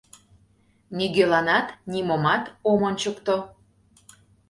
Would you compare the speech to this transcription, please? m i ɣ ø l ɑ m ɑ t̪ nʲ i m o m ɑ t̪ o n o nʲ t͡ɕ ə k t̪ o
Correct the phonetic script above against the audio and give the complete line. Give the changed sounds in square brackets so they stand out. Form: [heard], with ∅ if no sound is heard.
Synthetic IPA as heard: [n] i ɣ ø l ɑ [n] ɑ t̪ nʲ i m o m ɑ t̪ o [m] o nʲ t͡ɕ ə k t̪ o